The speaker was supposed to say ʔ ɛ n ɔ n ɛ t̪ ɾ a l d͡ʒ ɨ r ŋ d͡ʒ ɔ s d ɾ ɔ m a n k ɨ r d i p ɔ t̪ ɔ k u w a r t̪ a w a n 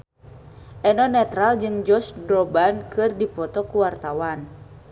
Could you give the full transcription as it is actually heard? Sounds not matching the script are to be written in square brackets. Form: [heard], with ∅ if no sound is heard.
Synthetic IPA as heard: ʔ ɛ n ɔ n ɛ t̪ ɾ a l d͡ʒ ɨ [∅] ŋ d͡ʒ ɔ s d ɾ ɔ [b] a n k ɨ r d i p ɔ t̪ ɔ k u w a r t̪ a w a n